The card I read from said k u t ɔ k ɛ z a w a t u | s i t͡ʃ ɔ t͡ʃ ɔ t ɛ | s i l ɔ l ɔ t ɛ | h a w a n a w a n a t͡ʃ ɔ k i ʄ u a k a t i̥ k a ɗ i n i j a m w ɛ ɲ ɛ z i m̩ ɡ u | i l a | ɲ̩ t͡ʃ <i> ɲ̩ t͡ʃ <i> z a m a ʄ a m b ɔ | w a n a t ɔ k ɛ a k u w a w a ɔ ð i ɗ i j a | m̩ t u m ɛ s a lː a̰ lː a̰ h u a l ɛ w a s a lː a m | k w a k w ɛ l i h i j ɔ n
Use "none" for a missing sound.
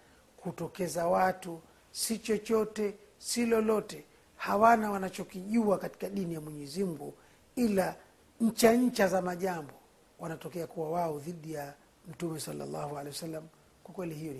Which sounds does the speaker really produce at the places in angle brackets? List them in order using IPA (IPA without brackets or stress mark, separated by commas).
a, a